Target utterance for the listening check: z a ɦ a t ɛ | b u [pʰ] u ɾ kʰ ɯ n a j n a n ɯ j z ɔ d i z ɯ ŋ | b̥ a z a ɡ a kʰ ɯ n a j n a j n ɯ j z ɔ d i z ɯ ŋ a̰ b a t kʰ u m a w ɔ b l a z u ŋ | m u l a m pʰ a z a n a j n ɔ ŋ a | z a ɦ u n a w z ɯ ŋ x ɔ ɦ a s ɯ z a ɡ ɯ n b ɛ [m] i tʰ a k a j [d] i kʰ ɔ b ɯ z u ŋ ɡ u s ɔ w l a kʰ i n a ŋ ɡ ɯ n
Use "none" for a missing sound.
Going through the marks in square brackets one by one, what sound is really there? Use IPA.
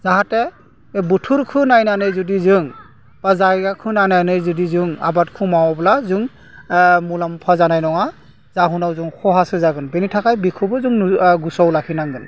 tʰ, n, b

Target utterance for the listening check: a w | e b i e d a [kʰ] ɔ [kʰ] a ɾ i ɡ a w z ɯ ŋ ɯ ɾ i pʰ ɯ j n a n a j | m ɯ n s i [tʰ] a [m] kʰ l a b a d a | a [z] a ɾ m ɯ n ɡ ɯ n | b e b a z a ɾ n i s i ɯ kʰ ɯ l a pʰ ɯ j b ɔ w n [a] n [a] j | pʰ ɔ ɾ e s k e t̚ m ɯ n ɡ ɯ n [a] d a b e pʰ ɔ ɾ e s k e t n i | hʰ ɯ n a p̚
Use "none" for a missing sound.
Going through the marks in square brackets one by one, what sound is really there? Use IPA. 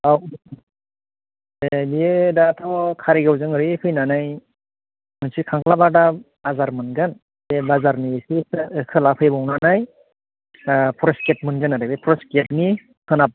tʰ, kʰ, kʰ, ŋ, z, a, a, a

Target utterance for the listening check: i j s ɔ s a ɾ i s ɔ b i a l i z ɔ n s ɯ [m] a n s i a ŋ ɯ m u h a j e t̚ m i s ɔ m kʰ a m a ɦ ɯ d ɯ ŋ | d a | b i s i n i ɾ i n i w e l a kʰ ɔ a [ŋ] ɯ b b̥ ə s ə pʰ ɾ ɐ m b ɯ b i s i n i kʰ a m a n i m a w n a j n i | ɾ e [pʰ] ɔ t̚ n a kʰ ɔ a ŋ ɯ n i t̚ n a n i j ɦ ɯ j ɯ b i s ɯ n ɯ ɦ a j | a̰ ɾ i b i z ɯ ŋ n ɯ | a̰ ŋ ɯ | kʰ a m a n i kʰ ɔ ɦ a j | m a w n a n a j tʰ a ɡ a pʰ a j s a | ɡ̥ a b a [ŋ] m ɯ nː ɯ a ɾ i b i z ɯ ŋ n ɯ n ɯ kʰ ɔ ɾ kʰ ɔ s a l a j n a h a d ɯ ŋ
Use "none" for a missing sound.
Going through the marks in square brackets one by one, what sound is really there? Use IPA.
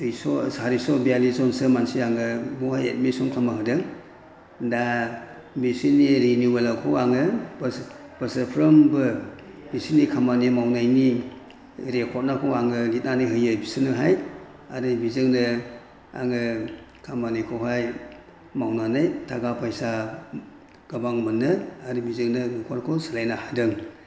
m, ŋ, kʰ, ŋ

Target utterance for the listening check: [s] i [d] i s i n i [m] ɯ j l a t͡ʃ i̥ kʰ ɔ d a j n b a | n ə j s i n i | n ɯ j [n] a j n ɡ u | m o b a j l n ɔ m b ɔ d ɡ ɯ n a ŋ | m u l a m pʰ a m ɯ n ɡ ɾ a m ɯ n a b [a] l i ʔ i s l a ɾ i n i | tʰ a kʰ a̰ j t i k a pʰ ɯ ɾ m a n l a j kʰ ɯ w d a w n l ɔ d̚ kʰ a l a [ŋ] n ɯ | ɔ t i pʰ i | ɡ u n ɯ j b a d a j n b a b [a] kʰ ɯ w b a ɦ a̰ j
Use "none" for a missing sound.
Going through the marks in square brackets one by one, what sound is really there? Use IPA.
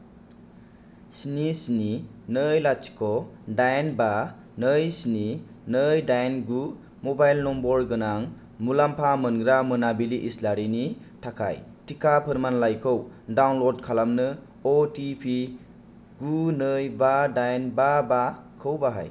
s, n, n, d, i, m, a

